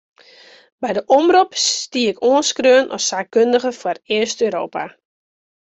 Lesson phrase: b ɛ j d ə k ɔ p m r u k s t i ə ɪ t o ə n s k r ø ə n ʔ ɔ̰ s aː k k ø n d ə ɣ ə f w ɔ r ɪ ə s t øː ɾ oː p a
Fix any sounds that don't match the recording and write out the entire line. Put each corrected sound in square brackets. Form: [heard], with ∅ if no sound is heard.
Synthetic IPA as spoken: b ɛ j d ə [ʔ] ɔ [∅] m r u [p] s t i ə ɪ [k] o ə n s k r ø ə n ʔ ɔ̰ s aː k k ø n d ə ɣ ə f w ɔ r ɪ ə s t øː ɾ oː p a

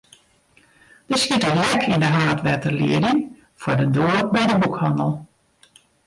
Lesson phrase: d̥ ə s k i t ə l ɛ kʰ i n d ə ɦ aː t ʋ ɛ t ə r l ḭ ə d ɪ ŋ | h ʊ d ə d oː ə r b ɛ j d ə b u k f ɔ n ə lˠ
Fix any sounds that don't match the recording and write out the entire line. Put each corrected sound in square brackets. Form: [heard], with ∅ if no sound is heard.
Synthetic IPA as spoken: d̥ ə s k i t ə l ɛ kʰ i n d ə ɦ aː t ʋ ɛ t ə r l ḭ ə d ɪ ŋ | [f] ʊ d ə d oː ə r b ɛ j d ə b u k [h] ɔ n ə lˠ

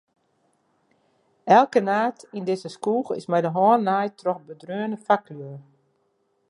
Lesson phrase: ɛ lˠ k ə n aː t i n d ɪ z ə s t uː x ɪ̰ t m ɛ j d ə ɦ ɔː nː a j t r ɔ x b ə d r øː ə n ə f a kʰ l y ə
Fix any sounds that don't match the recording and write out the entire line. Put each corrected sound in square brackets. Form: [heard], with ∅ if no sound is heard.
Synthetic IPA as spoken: ɛ lˠ k ə n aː t i n d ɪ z ə s [k] uː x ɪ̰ [s] m ɛ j d ə ɦ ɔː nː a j t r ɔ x b ə d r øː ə n ə f a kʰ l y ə

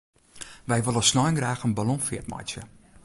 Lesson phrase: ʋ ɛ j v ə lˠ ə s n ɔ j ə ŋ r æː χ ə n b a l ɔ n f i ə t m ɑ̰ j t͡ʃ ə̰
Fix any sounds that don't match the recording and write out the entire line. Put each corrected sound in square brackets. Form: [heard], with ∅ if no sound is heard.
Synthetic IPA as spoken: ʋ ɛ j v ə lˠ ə s n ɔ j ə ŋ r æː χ ə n b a l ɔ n f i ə t m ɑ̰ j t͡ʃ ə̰

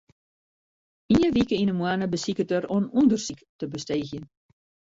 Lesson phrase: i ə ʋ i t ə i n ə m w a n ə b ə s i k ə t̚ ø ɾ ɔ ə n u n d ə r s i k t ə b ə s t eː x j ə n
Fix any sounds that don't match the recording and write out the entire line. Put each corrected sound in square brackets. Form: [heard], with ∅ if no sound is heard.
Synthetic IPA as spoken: i ə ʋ i [k] ə i n ə m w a n ə b ə s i k ə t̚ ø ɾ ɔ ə n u n d ə r s i k t ə b ə s t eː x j ə n

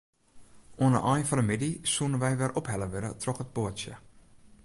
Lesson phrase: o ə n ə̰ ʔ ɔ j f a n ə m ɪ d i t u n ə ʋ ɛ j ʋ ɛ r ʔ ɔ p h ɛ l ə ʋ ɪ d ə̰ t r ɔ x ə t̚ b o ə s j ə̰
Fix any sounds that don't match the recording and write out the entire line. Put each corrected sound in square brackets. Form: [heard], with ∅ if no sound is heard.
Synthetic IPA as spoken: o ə n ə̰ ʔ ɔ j f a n ə m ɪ d i [s] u n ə ʋ ɛ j ʋ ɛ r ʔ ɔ p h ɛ l ə ʋ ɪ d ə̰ t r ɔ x ə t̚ b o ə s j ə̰

